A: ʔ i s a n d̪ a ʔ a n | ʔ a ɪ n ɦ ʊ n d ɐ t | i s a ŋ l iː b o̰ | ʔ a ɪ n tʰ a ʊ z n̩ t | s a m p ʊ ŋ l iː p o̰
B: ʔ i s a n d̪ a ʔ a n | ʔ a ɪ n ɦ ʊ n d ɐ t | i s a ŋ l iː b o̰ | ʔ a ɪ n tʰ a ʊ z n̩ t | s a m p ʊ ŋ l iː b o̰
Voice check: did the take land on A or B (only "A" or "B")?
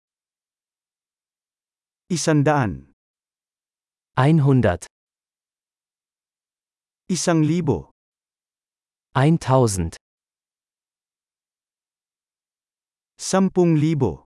B